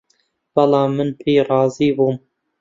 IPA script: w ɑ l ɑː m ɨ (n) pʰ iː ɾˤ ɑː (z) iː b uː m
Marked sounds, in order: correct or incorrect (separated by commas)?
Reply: correct, correct